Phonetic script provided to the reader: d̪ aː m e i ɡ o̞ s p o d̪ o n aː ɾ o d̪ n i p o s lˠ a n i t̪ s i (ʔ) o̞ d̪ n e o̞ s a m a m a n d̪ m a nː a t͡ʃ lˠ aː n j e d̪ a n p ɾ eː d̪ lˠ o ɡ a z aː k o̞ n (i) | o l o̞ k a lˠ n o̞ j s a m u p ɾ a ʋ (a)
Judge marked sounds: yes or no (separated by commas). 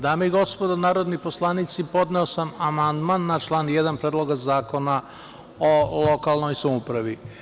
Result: no, no, no